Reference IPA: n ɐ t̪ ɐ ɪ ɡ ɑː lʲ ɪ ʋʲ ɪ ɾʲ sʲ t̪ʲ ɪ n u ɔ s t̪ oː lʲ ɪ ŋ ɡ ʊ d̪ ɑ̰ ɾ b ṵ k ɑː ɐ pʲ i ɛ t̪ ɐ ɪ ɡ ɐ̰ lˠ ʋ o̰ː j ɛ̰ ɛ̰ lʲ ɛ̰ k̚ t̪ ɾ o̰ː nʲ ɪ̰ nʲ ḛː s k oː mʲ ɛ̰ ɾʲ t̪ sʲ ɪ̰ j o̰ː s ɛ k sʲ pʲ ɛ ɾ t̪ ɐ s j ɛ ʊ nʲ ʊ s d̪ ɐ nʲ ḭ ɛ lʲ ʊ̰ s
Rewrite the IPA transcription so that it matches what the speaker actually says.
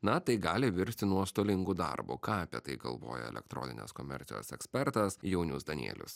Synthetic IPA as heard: n ɐ t̪ ɐ ɪ ɡ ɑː lʲ ɪ ʋʲ ɪ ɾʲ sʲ t̪ʲ ɪ n u ɔ s t̪ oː lʲ ɪ ŋ ɡ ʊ d̪ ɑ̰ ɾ b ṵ k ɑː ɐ pʲ i ɛ t̪ ɐ ɪ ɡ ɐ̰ lˠ ʋ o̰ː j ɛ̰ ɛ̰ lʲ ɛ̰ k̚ t̪ ɾ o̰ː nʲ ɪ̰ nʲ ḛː s k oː mʲ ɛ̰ ɾʲ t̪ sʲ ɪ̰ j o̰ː s ɛ k sʲ pʲ ɛ ɾ t̪ ɐ s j ɛ ʊ nʲ ʊ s d̪ ɐ nʲ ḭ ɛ lʲ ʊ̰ s